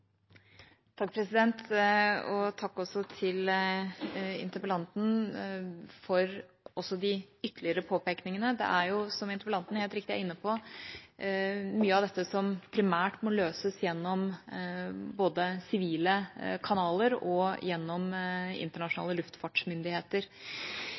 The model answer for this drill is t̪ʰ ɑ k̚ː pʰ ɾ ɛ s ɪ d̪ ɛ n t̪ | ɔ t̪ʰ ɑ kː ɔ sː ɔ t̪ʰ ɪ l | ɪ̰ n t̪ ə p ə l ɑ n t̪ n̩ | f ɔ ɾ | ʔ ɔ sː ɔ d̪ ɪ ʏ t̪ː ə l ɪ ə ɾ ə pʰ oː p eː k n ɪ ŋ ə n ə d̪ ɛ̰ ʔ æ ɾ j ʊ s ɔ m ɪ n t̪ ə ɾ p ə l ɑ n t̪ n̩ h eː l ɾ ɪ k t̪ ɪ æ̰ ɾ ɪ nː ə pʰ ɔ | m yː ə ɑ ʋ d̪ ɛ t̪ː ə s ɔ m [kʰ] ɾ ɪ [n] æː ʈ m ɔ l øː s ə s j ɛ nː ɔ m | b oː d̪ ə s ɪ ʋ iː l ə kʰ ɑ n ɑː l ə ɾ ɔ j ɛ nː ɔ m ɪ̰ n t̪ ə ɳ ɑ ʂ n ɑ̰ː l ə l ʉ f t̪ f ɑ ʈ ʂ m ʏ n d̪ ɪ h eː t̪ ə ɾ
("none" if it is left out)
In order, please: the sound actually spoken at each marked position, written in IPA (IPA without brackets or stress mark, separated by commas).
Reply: pʰ, m